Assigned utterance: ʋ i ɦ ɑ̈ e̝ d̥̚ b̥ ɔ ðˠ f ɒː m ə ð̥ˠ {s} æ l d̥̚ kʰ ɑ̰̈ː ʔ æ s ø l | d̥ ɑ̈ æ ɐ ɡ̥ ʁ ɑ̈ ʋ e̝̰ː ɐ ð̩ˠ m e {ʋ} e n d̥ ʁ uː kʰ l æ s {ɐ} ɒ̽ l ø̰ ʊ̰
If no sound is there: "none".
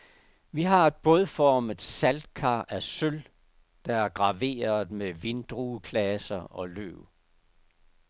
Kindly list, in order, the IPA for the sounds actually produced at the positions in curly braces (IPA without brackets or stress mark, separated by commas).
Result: s, ʋ, ɐ